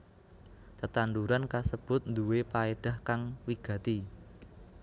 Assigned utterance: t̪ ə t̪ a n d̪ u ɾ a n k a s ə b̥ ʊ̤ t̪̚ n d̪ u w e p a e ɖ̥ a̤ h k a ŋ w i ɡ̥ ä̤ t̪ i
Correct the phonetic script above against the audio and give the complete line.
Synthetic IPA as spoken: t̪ ə t̪ a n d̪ u ɾ a n k a s ə b̥ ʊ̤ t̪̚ n d̪ u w e p a e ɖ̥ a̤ h k a ŋ w i ɡ̥ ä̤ t̪ i